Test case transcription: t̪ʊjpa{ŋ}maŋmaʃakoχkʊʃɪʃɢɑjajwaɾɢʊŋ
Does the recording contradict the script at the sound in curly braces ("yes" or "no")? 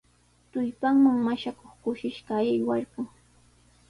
no